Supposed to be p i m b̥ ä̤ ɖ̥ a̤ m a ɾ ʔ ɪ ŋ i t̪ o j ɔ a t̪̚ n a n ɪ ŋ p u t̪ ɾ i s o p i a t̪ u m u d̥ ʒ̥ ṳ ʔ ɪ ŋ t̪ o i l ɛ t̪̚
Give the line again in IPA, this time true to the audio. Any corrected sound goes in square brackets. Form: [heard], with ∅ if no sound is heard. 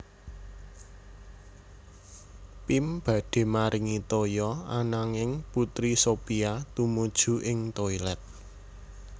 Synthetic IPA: p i m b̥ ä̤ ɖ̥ [e̤] m a ɾ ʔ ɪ ŋ i t̪ o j ɔ a [∅] n a [ŋ] ɪ ŋ p u t̪ ɾ i s o p i a t̪ u m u d̥ ʒ̥ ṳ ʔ ɪ ŋ t̪ o i l ɛ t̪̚